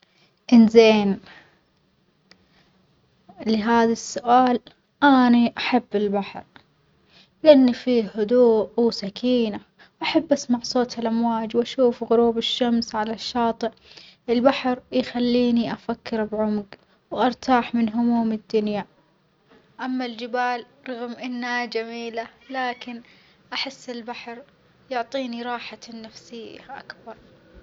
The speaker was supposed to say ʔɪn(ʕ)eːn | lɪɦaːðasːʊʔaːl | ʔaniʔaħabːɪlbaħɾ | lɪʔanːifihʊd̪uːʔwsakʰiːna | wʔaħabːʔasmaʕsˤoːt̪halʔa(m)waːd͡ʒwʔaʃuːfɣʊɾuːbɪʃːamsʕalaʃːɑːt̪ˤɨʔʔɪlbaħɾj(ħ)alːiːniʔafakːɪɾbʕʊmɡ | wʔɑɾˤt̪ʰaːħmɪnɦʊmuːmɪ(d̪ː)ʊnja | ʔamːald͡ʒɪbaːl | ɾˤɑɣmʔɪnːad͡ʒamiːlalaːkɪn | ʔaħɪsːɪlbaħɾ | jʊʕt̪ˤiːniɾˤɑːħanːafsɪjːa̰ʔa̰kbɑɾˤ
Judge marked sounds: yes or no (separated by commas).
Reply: no, yes, no, yes